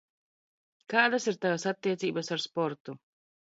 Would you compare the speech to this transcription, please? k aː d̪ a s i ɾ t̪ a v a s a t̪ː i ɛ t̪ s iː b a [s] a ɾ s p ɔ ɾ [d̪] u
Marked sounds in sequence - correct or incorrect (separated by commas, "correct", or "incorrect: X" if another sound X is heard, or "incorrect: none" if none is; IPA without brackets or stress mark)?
correct, incorrect: t̪